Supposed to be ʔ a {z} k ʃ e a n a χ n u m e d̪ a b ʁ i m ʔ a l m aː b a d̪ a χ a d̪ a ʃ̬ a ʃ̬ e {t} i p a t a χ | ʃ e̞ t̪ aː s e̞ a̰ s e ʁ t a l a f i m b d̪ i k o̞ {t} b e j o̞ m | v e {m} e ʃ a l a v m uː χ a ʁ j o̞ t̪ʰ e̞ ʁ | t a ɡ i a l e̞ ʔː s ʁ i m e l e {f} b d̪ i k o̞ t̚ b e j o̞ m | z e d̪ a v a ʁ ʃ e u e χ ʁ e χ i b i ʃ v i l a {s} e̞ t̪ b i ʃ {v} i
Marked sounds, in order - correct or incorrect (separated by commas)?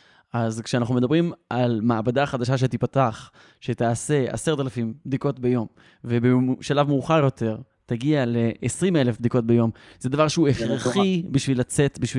correct, correct, correct, incorrect, correct, incorrect, correct